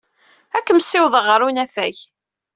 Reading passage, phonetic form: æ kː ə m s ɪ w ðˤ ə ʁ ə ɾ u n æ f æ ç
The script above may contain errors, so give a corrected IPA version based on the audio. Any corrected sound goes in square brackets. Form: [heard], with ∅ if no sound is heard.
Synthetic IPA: æ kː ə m s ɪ w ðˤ ə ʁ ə ɾ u n æ f æ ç